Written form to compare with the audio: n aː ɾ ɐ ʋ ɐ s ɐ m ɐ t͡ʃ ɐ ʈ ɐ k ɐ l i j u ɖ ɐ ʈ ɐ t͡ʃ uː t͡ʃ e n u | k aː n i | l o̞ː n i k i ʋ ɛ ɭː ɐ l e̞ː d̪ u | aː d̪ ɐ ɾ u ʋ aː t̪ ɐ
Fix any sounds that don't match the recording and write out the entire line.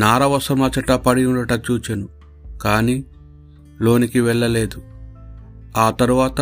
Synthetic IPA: n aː ɾ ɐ ʋ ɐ s ɐ m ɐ t͡ʃ ɐ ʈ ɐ p ɐ ɽ i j u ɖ ɐ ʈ ɐ t͡ʃ uː t͡ʃ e n u | k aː n i | l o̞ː n i k i ʋ ɛ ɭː ɐ l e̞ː d̪ u | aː t̪ ɐ ɾ u ʋ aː t̪ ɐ